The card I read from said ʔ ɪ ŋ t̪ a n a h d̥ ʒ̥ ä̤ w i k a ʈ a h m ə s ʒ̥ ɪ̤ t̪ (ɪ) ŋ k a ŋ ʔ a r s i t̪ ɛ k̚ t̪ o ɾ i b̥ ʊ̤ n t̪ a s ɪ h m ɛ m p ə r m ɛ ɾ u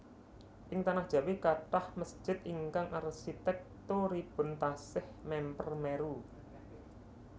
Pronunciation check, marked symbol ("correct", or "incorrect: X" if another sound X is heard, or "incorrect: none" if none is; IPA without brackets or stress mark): incorrect: i